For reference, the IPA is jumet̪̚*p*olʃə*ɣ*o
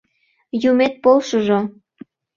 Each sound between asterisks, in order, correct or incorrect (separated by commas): correct, incorrect